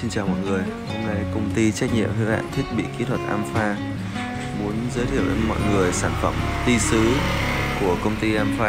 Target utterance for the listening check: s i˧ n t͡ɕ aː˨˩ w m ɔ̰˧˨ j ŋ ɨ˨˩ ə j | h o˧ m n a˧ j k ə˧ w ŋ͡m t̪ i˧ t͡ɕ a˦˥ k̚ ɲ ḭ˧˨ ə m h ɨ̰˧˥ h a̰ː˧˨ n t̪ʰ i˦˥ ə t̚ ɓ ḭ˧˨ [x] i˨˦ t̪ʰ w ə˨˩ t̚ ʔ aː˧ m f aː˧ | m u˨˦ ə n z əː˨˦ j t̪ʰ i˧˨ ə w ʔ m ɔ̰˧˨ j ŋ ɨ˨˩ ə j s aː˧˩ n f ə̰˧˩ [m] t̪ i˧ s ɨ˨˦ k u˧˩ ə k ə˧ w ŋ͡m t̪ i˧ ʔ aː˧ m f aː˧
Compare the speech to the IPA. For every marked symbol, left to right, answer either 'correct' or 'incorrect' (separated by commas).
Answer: incorrect, correct